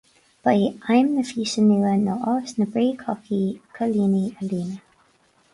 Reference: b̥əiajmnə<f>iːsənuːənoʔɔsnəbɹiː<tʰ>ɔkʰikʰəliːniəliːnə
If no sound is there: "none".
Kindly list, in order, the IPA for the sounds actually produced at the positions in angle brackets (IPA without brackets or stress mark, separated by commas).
f, kʰ